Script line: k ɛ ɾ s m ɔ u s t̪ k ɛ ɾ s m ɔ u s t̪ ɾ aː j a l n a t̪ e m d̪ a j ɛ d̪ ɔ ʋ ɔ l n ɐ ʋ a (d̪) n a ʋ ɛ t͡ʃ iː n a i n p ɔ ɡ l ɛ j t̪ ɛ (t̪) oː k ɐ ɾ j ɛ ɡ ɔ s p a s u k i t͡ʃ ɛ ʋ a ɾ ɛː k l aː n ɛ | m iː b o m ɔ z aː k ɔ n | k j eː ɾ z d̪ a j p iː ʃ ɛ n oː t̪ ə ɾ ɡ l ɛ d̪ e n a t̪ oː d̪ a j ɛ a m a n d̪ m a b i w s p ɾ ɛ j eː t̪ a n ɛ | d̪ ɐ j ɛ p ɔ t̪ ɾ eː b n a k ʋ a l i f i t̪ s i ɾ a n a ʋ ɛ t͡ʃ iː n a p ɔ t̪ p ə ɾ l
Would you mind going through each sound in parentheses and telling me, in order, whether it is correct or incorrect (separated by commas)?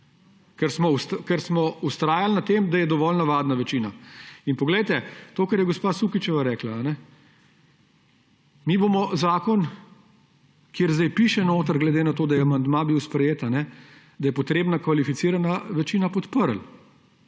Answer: correct, correct